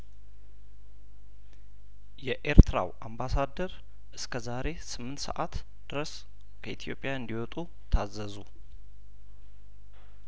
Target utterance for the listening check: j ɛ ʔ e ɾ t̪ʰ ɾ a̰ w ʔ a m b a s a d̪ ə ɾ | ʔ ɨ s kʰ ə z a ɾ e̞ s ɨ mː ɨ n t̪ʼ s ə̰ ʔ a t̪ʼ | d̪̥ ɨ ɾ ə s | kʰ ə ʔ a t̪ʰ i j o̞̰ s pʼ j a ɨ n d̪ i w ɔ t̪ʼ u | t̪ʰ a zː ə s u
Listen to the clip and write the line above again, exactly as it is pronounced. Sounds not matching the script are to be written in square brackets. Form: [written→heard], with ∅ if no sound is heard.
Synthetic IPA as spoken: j ɛ ʔ e ɾ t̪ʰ ɾ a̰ w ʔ a m b a s a d̪ ə ɾ | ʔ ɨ s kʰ ə z a ɾ e̞ s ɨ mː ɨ n [t̪ʼ→t̪] s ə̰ ʔ a [t̪ʼ→t̪] | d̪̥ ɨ ɾ ə s | kʰ ə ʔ [a→i] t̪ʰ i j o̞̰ [s→∅] pʼ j a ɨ n d̪ i w ɔ t̪ʼ u | t̪ʰ a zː ə [s→z] u